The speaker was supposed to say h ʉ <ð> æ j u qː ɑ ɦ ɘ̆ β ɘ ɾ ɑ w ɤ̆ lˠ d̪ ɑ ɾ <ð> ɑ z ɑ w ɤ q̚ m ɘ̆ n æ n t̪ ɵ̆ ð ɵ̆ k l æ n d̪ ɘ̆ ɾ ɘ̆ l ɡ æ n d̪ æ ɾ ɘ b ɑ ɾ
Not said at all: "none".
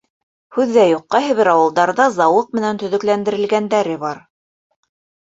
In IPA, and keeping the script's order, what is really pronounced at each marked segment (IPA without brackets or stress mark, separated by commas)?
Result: ðː, ð